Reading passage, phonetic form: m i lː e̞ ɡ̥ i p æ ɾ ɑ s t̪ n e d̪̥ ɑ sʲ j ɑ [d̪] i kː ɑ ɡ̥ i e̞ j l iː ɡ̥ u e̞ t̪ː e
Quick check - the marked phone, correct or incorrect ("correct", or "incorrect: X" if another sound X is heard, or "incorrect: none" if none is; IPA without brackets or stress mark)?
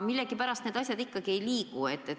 correct